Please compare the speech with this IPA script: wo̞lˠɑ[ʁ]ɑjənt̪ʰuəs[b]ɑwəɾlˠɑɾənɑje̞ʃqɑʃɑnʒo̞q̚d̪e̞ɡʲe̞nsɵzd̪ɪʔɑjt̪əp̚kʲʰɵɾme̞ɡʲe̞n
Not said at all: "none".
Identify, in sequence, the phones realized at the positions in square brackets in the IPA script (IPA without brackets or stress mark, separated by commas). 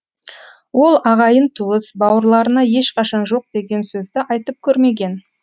ʁ, b